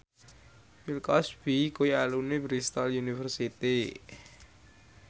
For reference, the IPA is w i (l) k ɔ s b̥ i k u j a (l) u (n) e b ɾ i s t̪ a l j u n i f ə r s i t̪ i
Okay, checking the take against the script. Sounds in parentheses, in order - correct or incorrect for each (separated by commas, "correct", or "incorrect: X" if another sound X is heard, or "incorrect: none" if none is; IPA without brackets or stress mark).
correct, correct, correct